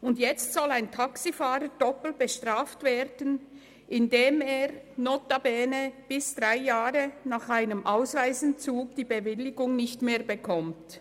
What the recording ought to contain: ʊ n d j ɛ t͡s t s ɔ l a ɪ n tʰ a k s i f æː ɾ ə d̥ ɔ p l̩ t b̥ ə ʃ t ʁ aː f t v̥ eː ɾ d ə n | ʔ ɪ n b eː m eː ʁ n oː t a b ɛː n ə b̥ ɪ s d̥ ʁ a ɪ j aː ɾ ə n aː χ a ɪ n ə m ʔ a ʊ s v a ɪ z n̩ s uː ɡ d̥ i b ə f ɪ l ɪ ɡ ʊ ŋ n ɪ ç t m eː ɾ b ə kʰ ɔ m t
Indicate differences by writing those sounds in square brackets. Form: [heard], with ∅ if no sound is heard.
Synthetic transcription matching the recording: ʊ n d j ɛ t͡s t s ɔ l a ɪ n tʰ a k s i f [aː] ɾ ə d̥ ɔ p l̩ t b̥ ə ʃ t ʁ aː f t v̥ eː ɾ d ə n | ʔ ɪ n [d] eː m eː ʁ n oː t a b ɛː n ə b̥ ɪ s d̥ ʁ a ɪ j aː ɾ ə n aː χ a ɪ n ə m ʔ a ʊ s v a ɪ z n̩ [t͡s] uː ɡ d̥ [iː] b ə [v] ɪ l ɪ ɡ ʊ ŋ n ɪ ç t m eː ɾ b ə kʰ ɔ m t